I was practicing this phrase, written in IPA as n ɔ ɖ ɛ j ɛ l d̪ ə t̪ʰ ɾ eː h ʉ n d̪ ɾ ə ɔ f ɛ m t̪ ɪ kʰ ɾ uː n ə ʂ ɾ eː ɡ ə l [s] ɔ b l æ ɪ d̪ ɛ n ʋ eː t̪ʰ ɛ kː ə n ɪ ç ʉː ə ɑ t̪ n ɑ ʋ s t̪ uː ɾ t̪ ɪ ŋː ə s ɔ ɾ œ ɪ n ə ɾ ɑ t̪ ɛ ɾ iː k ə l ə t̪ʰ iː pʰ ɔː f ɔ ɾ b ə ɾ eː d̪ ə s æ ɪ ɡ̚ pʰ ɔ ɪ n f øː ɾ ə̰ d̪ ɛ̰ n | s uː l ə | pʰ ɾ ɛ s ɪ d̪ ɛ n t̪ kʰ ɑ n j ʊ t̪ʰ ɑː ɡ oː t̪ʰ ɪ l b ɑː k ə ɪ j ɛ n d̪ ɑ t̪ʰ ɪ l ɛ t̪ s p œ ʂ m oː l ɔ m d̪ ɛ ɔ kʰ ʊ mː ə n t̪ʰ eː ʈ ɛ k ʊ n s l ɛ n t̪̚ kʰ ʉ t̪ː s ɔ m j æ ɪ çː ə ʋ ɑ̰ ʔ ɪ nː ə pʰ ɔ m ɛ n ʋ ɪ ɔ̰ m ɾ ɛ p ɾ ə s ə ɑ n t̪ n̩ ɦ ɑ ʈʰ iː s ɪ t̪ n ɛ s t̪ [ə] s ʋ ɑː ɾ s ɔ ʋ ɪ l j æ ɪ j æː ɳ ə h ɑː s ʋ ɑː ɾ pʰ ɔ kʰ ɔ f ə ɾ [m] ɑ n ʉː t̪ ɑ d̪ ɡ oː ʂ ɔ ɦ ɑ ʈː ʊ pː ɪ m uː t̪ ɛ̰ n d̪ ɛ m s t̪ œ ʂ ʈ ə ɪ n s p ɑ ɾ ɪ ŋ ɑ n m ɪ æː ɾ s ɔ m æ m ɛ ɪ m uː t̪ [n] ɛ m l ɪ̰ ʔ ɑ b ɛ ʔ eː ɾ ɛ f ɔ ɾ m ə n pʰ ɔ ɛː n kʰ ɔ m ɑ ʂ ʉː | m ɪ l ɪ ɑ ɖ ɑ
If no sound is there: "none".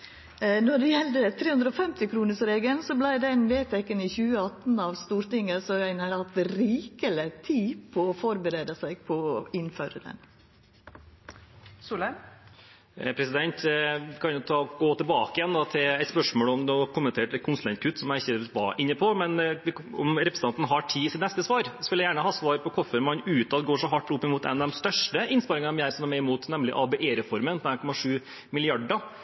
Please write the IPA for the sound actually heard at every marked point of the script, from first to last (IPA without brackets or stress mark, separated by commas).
s, ə, m, n